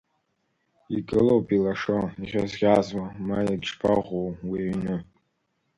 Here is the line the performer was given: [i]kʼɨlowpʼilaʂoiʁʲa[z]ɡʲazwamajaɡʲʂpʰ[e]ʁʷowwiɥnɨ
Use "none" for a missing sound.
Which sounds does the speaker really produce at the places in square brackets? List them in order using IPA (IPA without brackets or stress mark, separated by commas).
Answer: i, z, a